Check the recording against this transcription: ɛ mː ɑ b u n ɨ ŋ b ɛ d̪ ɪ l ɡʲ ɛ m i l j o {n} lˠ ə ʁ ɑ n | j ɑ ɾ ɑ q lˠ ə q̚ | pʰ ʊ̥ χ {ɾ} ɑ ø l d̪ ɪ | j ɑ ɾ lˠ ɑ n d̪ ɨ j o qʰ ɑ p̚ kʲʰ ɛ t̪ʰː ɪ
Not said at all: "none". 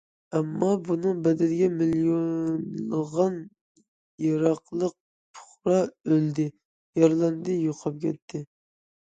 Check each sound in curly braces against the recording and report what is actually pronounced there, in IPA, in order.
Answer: n, ɾ

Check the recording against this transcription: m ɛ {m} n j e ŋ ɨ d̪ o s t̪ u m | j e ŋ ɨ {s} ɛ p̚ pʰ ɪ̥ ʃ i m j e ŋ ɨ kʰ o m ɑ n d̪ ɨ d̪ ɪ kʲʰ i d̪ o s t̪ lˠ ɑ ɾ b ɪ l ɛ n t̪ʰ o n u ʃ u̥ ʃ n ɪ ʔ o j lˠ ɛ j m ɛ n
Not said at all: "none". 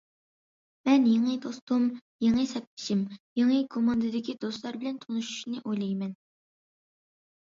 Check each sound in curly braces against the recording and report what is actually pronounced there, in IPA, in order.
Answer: none, s

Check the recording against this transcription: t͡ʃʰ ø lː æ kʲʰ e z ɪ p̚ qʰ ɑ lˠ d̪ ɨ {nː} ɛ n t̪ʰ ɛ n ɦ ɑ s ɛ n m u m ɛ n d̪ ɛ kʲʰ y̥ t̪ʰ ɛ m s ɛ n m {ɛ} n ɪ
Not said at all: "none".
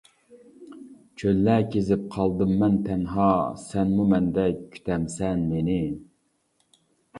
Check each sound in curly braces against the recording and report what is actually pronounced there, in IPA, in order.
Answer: mː, e

